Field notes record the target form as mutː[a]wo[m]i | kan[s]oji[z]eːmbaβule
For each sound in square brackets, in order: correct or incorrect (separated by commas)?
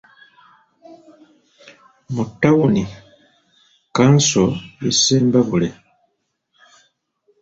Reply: correct, incorrect, correct, incorrect